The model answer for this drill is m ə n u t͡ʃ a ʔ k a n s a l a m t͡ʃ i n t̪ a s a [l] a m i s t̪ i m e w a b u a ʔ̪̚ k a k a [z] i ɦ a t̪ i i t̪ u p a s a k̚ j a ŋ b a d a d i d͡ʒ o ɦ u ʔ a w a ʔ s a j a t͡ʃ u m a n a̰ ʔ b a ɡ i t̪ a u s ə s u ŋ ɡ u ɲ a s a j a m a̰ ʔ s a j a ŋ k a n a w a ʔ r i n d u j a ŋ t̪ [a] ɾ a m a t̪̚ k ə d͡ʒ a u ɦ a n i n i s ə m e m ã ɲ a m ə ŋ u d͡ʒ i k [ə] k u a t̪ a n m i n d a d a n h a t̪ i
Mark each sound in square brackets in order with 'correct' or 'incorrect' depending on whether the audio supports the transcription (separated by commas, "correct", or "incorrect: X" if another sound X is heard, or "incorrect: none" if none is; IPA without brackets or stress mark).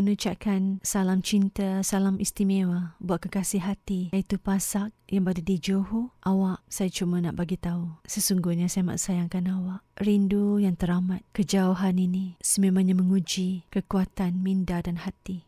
correct, incorrect: s, incorrect: ə, correct